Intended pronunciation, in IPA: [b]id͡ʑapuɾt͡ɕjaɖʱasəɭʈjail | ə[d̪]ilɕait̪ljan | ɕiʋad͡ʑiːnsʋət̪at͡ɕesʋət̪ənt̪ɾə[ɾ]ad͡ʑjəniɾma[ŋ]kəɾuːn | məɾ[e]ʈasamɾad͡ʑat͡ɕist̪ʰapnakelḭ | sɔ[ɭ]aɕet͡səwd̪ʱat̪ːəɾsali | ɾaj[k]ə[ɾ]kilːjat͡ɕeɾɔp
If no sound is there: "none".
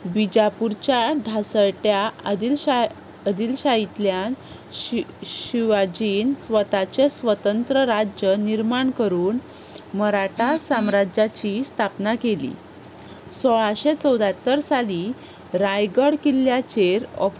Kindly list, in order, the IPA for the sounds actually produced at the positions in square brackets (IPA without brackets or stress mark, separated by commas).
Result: b, d̪, ɾ, ɳ, a, ɭ, ɡ, ɽ